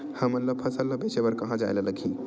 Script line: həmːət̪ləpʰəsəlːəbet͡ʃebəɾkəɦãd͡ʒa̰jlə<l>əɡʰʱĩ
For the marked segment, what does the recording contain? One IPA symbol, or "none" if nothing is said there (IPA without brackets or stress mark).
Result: l